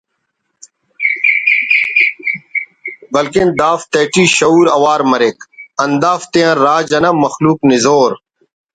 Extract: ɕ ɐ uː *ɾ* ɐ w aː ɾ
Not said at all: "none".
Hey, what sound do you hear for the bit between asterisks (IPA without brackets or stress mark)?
ɾ